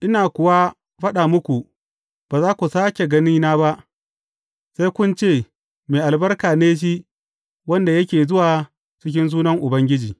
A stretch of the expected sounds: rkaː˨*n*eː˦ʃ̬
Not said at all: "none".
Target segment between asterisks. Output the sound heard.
n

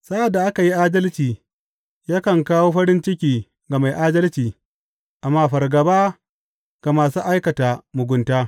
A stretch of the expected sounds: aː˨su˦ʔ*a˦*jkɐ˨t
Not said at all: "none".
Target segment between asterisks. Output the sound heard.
a˦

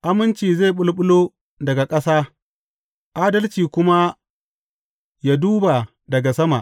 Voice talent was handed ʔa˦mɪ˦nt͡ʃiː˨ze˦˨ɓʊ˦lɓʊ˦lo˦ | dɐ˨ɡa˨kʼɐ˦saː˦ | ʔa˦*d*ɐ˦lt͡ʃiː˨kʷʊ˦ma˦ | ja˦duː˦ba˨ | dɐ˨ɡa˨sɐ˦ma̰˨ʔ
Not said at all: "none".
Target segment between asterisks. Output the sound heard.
d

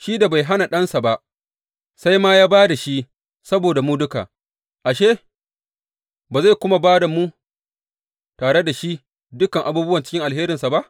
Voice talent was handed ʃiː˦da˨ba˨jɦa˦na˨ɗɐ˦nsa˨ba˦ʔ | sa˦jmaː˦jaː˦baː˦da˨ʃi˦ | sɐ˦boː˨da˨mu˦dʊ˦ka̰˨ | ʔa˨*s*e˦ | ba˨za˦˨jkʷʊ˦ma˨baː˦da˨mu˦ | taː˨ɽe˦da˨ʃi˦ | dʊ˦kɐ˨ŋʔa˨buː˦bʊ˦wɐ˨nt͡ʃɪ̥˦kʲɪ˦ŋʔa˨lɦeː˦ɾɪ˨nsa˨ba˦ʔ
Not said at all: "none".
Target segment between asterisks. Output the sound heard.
ʃ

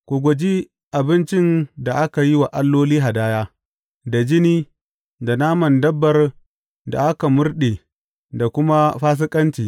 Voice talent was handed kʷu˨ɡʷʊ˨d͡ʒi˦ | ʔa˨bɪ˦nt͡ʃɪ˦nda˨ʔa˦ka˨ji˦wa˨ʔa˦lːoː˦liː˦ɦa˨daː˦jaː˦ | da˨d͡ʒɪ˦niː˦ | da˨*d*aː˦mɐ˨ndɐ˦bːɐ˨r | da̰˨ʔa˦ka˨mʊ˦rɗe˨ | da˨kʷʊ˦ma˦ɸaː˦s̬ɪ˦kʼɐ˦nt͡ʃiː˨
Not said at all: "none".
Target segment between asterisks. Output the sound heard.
n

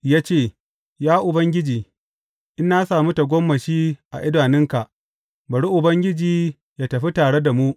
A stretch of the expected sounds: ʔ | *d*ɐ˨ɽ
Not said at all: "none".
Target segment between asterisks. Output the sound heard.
b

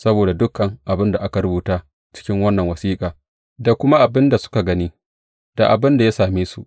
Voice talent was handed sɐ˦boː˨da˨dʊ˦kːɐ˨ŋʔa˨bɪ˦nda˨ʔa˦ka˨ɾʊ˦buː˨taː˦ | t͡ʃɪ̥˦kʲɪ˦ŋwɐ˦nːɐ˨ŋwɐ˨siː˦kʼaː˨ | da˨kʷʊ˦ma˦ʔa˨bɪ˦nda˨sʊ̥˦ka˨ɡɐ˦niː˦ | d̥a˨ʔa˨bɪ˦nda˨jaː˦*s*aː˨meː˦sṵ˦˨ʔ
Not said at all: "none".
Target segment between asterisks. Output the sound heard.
s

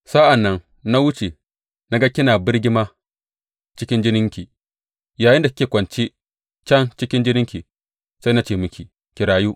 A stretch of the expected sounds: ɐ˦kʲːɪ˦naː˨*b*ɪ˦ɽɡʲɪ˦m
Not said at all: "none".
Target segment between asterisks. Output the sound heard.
b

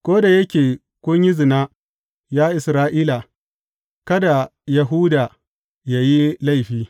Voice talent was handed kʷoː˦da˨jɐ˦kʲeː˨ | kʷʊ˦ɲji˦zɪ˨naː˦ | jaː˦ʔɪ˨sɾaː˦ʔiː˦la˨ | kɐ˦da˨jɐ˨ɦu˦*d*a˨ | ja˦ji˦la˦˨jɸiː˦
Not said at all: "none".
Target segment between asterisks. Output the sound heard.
d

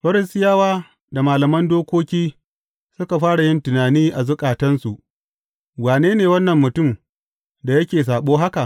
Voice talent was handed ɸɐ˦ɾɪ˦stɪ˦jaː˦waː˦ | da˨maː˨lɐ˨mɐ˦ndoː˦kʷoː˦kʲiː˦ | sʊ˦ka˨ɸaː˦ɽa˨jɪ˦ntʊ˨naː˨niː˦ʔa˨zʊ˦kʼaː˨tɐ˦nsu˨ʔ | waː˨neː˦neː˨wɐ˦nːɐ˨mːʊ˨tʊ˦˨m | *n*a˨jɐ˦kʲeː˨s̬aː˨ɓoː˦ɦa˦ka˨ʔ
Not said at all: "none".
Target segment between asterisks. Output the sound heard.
d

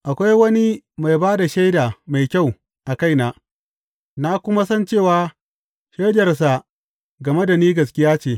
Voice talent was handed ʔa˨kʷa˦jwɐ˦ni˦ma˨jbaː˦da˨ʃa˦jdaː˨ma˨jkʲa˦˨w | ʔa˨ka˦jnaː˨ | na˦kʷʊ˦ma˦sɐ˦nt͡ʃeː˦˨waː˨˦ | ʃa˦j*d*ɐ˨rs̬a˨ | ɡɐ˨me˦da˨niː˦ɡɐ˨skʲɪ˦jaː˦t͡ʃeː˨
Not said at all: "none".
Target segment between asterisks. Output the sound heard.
d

